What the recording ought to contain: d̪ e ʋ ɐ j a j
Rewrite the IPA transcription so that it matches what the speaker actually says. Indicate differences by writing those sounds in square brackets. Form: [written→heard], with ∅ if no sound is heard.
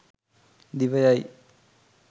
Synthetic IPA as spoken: d̪ [e→i] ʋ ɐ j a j

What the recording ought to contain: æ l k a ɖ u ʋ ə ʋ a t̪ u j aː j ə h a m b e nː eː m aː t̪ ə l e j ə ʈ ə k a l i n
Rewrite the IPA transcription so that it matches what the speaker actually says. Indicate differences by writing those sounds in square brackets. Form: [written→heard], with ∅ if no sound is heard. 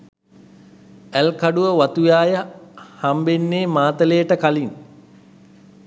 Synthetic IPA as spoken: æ l k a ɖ u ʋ ə ʋ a t̪ u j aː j ə h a m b e nː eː m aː t̪ ə l e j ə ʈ ə k a l i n

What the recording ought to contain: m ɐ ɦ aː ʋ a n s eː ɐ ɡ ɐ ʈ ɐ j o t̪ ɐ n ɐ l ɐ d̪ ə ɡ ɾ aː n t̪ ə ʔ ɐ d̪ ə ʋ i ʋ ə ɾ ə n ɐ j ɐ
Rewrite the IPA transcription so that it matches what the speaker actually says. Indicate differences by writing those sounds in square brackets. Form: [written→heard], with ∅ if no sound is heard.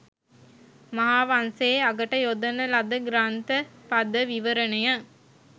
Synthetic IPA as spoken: m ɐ ɦ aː ʋ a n s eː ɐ ɡ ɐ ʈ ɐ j o [t̪→d̪] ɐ n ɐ l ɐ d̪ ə ɡ ɾ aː n t̪ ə [ʔ→p] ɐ d̪ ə ʋ i ʋ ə ɾ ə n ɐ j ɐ

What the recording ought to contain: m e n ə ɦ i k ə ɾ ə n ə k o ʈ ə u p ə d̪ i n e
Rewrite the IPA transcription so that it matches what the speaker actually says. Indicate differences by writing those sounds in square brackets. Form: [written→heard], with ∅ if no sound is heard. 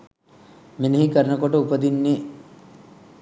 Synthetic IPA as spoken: m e n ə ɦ i k ə ɾ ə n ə k o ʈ ə u p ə d̪ i [n→nː] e

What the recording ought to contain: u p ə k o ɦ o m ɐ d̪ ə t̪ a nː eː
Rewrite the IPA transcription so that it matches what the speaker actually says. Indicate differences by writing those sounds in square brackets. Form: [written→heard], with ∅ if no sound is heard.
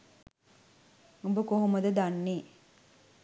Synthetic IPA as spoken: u [p→b] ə k o ɦ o m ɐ d̪ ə [t̪→d̪] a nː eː

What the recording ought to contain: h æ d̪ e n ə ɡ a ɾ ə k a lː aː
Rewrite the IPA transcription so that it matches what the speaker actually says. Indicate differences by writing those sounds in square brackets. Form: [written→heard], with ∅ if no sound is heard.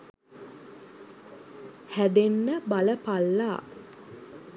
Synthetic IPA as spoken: h æ d̪ e [n→nː] ə [ɡ→b] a [ɾ→l] ə [k→p] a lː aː

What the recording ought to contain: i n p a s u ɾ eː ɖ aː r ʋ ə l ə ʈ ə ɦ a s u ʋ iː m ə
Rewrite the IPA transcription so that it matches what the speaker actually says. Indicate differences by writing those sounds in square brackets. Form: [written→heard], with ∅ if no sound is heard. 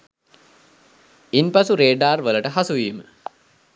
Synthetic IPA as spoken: i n p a s u ɾ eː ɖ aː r ʋ ə l ə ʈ ə ɦ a s u ʋ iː m ə

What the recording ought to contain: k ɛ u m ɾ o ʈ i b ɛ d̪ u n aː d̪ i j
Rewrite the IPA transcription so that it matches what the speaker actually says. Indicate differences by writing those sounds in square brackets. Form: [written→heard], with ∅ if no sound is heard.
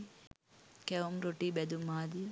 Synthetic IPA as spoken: k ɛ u m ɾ o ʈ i b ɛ d̪ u [n→m] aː d̪ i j

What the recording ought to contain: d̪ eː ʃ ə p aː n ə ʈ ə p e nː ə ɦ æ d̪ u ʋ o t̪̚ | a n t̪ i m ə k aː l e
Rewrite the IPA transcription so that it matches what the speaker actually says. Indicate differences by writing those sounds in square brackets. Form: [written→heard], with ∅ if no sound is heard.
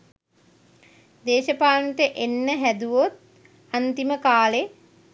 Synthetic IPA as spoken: d̪ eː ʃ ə p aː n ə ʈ ə [p→ʔ] e nː ə ɦ æ d̪ u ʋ o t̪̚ | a n t̪ i m ə k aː l e

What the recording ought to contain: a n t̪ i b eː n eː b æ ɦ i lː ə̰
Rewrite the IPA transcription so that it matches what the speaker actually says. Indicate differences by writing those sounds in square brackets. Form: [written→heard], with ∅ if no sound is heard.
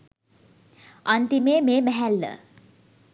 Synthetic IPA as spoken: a n t̪ i [b→m] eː [n→m] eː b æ ɦ [i→æ] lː ə̰

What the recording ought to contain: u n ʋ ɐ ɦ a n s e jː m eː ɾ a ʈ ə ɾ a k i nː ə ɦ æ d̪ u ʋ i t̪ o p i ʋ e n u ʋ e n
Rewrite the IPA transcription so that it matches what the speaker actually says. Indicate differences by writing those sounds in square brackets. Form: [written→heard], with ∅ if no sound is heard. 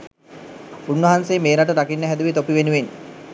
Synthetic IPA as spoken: u n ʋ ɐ ɦ a n s e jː m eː ɾ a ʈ ə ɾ a k i nː ə ɦ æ d̪ u ʋ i t̪ o p i ʋ e n u ʋ e n

